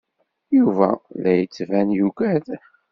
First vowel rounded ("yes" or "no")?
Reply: yes